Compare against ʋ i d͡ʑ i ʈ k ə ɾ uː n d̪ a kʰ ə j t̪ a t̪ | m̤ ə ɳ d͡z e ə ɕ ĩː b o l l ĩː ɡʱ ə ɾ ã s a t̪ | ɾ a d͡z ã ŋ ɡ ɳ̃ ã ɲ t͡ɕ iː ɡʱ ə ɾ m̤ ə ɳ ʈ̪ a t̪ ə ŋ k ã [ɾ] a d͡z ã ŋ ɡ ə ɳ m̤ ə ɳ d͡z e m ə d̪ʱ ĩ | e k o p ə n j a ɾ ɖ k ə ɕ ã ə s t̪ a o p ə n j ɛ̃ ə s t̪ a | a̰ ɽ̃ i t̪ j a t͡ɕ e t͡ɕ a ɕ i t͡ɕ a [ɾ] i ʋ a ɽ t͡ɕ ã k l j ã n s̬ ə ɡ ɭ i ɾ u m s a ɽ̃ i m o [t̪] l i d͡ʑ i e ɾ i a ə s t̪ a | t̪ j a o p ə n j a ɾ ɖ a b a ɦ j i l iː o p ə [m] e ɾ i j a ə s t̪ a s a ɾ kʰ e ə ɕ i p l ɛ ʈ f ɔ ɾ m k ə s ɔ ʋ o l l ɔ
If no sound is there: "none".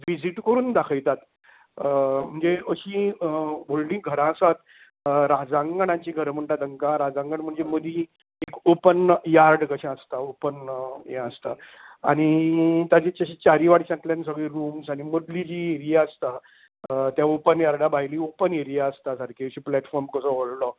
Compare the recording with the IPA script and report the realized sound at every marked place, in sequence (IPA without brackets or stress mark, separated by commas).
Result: ɾ, ɾ, d̪, n